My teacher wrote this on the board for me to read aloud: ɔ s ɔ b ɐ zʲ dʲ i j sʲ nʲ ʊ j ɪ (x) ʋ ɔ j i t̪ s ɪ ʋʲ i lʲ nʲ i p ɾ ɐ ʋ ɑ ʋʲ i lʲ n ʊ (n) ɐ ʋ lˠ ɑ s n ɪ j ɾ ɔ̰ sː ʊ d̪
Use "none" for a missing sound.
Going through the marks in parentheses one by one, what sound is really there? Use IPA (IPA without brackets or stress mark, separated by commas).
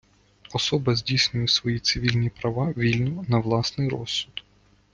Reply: s, n